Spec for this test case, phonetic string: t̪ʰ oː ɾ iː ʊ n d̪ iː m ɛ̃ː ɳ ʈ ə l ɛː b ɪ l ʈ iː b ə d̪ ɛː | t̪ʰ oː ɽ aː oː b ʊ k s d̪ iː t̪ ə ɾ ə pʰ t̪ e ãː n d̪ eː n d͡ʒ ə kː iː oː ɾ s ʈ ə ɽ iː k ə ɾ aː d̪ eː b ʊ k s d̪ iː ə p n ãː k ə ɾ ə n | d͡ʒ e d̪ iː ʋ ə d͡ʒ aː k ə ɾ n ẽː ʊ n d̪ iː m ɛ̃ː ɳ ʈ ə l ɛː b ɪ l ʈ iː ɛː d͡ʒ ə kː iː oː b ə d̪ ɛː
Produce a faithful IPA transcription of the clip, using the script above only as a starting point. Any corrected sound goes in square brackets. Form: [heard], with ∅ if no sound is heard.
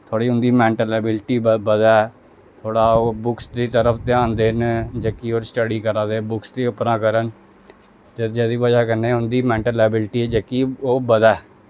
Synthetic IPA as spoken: t̪ʰ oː [ɽ] iː ʊ n d̪ iː m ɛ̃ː ɳ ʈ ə l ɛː b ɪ l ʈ iː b ə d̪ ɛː | t̪ʰ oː ɽ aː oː b ʊ k s d̪ iː t̪ ə ɾ ə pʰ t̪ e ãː n d̪ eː n d͡ʒ ə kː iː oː ɾ s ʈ ə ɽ iː k ə ɾ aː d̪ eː b ʊ k s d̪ iː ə p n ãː k ə ɾ ə n | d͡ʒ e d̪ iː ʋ ə d͡ʒ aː k ə ɾ n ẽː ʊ n d̪ iː m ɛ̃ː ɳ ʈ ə l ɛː b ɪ l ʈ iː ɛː d͡ʒ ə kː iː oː b ə d̪ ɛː